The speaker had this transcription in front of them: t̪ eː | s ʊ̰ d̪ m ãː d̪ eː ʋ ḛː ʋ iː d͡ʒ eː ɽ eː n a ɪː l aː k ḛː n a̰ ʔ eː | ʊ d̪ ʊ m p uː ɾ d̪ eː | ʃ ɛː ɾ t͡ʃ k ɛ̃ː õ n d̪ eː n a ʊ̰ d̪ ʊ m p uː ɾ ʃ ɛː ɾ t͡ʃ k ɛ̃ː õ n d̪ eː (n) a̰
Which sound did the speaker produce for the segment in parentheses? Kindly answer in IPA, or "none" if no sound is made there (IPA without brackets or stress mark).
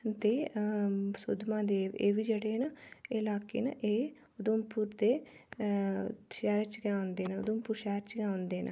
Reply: n